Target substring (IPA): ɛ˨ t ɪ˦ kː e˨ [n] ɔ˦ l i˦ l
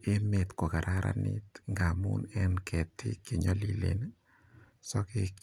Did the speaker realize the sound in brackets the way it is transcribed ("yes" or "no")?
no